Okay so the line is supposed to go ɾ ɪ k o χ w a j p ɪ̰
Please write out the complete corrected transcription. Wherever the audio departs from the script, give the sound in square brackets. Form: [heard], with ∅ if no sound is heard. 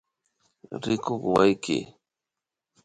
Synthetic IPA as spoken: ɾ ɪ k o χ w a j [k] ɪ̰